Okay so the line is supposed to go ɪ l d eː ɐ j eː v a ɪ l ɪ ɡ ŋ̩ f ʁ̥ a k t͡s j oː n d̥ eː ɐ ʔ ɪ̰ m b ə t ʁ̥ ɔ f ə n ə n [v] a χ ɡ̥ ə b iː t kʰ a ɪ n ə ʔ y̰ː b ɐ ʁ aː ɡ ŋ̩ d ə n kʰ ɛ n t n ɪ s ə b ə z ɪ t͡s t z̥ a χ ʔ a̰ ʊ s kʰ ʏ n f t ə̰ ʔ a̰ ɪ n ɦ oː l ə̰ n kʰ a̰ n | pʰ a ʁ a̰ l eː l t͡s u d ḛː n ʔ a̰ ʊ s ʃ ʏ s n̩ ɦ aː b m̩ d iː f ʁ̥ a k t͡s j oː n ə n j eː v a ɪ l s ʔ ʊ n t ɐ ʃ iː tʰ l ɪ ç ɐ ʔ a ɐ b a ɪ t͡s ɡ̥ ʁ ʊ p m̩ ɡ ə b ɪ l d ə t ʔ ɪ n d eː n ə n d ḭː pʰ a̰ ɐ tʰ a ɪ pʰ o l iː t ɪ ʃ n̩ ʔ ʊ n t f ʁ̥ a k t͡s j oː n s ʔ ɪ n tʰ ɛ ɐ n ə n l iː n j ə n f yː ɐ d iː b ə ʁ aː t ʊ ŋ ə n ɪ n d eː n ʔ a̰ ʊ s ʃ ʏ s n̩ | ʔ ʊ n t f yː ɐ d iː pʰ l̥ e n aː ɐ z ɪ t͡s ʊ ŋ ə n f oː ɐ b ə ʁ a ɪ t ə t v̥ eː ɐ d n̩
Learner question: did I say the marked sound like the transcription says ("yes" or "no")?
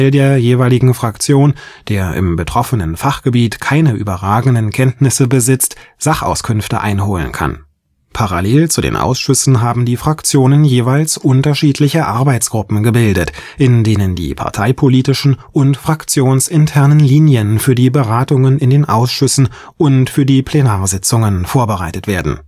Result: no